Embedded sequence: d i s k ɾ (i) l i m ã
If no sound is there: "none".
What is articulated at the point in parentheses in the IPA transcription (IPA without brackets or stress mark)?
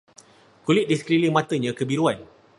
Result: i